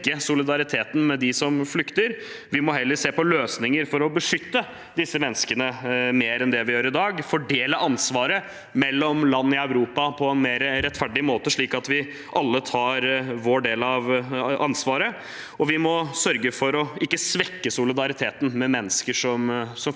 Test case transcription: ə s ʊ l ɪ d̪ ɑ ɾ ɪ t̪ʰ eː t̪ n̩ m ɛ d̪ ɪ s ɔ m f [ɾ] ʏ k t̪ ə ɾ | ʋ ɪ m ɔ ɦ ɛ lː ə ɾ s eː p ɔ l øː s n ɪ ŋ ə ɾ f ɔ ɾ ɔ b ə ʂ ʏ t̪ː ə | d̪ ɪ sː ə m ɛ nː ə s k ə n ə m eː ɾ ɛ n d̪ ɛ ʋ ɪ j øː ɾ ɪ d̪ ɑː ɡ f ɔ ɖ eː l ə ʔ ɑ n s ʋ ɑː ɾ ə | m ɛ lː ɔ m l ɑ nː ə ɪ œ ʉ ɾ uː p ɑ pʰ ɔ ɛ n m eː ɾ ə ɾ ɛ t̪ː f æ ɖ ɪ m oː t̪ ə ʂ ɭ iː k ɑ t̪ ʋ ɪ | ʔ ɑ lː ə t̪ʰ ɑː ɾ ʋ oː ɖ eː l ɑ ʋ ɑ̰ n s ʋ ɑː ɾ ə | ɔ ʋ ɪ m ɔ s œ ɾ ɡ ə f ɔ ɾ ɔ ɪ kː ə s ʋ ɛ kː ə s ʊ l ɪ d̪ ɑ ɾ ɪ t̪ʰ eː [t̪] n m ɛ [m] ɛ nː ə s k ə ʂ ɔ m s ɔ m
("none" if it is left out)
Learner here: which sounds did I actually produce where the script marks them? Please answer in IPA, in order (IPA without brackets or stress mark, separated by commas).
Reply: l, t̪, m